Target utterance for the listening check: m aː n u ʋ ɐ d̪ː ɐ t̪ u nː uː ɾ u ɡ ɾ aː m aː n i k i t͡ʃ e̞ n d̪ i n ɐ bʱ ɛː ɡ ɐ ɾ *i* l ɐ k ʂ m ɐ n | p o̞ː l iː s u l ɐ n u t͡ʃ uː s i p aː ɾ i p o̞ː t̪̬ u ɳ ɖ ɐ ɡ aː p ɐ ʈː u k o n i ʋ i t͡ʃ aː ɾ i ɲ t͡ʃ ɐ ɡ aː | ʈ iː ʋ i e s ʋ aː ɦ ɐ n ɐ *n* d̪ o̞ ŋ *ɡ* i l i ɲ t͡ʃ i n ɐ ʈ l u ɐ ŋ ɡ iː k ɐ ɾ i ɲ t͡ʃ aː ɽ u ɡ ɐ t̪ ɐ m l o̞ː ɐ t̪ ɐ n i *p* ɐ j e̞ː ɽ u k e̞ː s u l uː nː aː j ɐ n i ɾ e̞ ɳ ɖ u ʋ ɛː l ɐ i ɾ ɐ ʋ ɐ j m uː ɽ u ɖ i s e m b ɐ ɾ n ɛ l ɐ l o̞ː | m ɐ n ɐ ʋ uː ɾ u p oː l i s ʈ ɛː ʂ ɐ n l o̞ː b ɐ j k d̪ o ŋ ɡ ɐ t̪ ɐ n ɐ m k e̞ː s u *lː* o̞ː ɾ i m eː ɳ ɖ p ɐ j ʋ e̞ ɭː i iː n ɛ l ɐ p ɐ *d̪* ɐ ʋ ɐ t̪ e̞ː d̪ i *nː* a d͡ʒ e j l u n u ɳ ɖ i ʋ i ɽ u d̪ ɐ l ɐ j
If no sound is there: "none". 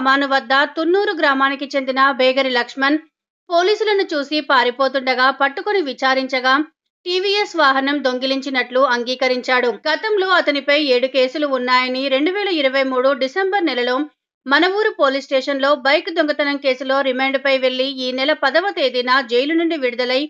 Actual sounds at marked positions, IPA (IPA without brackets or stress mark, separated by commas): i, m, ɡ, p, l, d̪, n